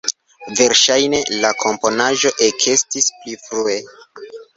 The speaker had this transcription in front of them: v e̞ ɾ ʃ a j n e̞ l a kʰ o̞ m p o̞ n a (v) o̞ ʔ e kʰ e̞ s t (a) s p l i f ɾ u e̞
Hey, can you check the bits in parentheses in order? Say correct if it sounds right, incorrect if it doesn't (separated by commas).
incorrect, incorrect